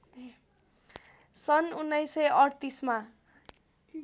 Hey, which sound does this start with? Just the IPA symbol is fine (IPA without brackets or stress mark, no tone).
s